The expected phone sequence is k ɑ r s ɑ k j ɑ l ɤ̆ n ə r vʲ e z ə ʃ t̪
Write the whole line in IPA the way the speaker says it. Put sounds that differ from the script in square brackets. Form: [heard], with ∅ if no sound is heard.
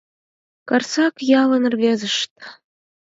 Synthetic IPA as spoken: k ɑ r s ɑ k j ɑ l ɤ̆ n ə r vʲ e z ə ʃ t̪